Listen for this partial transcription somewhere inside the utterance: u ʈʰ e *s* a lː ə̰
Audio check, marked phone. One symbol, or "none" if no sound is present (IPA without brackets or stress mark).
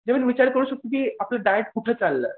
t͡s